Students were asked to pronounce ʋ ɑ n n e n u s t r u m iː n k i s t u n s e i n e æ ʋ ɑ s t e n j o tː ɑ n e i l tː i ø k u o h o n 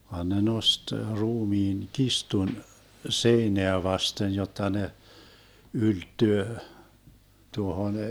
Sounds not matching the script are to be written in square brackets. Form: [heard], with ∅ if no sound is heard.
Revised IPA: ʋ ɑ n n e n [o] s t r [uː] m iː n k i s t u n s e i n e æ ʋ ɑ s t e n j o tː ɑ n e [y] l tː [y] ø [t] u o h o n